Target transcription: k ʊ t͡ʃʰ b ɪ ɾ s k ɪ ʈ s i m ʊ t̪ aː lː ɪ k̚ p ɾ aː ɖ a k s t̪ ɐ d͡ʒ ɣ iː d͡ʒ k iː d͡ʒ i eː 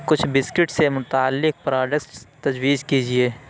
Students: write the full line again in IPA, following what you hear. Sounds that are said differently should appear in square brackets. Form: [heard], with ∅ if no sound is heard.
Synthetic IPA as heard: k ʊ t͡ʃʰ b ɪ [∅] s k ɪ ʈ s [e] m ʊ t̪ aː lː ɪ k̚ p ɾ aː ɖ [ə] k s t̪ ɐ d͡ʒ [w] iː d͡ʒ k iː d͡ʒ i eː